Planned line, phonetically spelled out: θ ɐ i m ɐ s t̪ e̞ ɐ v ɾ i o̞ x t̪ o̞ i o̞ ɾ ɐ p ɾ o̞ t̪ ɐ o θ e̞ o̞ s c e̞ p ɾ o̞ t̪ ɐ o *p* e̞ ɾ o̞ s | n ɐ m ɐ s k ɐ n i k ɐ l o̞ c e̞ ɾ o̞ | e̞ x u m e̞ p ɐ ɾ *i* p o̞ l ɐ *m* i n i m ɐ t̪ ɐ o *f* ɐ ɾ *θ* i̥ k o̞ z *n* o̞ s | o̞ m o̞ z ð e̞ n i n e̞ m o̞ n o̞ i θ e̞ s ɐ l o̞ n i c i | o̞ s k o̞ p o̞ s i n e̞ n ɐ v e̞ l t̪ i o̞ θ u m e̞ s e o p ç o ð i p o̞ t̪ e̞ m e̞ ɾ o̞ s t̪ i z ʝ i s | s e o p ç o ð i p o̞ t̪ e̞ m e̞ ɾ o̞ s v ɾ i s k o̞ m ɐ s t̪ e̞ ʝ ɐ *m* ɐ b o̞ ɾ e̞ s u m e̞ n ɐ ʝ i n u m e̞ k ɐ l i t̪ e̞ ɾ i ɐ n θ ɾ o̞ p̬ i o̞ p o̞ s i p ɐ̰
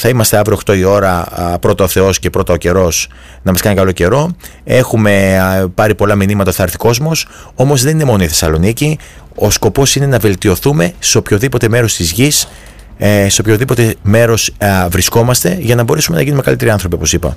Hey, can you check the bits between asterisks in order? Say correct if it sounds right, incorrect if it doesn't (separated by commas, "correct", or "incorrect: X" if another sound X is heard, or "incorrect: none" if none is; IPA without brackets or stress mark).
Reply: incorrect: c, correct, correct, incorrect: θ, correct, incorrect: m, incorrect: n